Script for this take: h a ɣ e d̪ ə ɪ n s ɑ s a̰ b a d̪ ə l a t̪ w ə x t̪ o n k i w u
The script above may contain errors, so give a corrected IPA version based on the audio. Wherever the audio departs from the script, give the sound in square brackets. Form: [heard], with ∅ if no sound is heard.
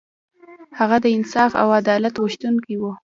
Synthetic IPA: h a ɣ [a] d̪ ə ɪ n s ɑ [f] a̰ [w] a d̪ [ɑ] l a t̪ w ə [ʃ] t̪ [u] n k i w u